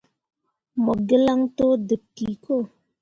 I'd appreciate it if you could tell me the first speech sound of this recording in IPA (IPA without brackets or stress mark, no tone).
m